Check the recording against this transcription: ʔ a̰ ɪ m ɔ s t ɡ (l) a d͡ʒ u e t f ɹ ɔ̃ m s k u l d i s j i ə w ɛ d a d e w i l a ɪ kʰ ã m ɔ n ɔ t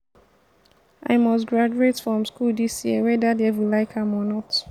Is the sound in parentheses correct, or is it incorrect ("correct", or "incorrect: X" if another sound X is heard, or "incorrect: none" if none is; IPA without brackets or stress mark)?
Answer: incorrect: ɹ